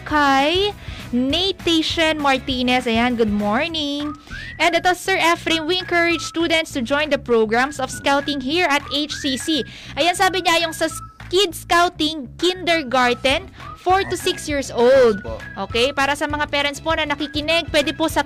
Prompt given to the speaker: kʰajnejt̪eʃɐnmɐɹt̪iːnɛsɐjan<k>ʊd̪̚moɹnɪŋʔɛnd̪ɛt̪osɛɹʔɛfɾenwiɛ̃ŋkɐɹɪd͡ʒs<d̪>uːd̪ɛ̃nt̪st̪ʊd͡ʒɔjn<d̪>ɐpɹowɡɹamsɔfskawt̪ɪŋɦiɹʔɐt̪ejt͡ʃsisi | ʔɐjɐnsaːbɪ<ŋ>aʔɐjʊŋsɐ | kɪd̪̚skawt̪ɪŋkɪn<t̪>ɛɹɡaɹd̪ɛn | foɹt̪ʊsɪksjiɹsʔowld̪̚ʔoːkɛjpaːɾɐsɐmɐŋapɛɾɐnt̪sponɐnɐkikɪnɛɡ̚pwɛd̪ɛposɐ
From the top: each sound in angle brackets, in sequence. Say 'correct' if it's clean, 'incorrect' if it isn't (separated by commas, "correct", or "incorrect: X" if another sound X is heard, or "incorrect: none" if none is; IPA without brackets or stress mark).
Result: incorrect: ɡ, incorrect: t̪, correct, incorrect: ɲ, incorrect: d̪